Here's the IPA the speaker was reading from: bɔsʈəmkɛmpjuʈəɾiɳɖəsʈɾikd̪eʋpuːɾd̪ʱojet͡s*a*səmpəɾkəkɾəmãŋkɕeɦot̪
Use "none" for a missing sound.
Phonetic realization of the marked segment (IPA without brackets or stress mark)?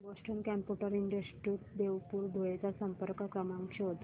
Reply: a